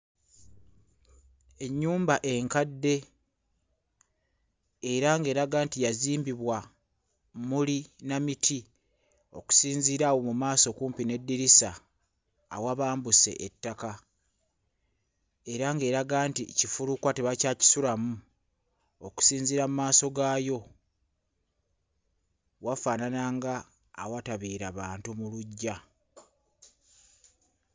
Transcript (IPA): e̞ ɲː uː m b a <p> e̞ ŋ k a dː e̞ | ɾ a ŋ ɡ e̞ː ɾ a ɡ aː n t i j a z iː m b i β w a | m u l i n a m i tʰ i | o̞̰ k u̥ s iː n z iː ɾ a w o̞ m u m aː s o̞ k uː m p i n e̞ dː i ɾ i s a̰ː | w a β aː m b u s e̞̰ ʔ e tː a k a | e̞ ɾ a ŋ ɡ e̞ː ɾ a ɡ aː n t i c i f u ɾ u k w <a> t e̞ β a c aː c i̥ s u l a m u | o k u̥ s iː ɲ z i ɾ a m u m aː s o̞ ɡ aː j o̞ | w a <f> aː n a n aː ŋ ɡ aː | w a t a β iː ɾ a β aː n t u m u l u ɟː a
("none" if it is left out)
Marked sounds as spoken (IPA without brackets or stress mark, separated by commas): ʔ, a, f